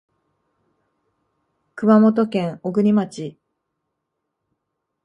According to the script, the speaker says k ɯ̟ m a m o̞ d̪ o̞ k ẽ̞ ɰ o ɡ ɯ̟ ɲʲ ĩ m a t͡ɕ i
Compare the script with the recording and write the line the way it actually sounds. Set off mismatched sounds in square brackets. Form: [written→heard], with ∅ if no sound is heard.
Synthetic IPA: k ɯ̟ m a m o̞ [d̪→t̪] o̞ k ẽ̞ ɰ o ɡ ɯ̟ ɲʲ [ĩ→i] m a t͡ɕ i